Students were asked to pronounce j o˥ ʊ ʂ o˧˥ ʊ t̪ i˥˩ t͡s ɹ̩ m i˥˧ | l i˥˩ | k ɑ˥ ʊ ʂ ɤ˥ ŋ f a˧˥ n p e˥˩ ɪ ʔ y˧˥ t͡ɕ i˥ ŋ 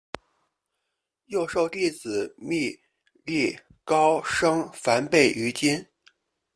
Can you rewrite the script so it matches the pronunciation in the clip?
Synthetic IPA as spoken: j o˥˧ ʊ ʂ o˥˧ ʊ t̪ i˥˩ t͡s ɹ̩ m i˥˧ | l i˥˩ | k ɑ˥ ʊ ʂ ɤ˥ ŋ f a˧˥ n p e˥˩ ɪ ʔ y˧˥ t͡ɕ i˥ n